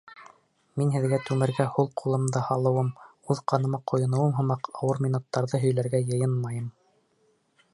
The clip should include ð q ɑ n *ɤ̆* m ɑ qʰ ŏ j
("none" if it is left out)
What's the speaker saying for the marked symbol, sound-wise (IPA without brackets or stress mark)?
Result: ɤ̆